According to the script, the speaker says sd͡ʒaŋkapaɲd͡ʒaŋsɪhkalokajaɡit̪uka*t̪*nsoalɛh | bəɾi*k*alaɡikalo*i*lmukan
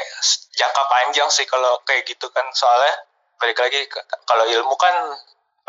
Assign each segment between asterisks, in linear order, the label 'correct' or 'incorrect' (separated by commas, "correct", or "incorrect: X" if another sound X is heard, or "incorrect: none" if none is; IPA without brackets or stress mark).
incorrect: none, correct, correct